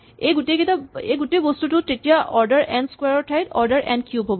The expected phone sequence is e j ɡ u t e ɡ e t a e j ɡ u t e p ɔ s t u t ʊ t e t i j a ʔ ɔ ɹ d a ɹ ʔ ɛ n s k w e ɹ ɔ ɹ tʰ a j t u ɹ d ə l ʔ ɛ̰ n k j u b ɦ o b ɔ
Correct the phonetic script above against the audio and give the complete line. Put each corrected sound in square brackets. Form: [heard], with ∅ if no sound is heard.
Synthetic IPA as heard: e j ɡ u t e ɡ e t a e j ɡ u t e [b] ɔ s t u t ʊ t e t i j a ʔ ɔ ɹ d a ɹ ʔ ɛ n s k w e ɹ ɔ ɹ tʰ a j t [ɔ] ɹ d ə [ɹ] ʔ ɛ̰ n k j u b ɦ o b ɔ